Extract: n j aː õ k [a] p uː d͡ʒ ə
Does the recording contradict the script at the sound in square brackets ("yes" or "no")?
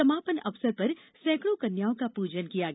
no